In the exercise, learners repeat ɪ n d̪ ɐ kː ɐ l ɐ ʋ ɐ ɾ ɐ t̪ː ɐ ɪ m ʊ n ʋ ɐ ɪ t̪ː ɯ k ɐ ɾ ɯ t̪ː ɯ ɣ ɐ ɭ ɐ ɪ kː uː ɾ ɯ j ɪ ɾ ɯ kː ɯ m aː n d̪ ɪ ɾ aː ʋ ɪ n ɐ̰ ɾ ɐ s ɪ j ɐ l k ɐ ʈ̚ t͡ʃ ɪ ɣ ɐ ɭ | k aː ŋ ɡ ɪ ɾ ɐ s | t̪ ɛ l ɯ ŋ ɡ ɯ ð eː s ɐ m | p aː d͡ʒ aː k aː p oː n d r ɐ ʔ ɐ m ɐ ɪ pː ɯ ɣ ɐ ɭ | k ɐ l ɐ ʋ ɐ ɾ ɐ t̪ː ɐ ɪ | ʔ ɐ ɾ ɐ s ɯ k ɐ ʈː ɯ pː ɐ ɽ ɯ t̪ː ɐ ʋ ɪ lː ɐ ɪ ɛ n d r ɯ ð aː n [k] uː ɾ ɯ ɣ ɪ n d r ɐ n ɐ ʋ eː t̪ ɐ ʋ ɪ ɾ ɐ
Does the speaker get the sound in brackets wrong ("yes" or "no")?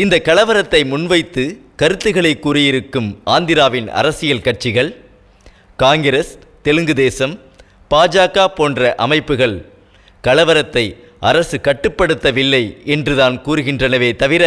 no